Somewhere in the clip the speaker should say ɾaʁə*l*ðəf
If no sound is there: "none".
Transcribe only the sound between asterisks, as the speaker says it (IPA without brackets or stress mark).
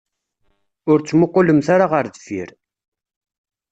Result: ɾ